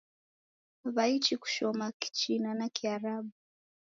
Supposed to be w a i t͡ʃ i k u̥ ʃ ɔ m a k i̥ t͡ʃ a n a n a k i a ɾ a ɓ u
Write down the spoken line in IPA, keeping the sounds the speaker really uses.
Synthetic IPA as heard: β a i t͡ʃ i k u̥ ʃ ɔ m a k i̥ t͡ʃ i n a n a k i a ɾ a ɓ u